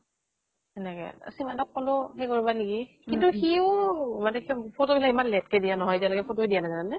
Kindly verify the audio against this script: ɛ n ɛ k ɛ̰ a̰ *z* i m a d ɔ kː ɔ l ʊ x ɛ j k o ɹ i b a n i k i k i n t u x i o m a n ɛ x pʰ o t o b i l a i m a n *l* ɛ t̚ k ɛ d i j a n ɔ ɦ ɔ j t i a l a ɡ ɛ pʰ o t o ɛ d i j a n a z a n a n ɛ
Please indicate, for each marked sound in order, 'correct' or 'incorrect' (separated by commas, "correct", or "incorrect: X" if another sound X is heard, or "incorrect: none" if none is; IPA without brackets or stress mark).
incorrect: s, correct